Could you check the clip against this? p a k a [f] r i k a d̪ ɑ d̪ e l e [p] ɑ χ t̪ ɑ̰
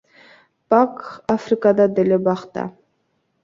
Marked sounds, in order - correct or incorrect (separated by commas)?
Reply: correct, incorrect